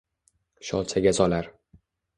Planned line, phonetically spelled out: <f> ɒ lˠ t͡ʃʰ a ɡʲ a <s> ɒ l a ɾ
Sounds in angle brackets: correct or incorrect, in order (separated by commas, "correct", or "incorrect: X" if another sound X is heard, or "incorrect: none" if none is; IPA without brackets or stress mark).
incorrect: ʃ, incorrect: z